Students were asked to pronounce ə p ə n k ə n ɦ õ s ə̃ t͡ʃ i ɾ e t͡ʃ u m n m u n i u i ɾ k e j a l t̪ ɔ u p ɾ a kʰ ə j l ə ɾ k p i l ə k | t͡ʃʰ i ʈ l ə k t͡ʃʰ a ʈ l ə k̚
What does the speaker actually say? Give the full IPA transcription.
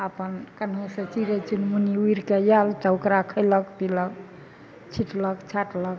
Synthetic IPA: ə p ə n k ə n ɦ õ s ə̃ t͡ʃ i ɾ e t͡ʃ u n m u n i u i ɾ k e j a l t̪ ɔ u k ɾ a kʰ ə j l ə k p i l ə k | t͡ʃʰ i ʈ l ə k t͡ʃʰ a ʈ l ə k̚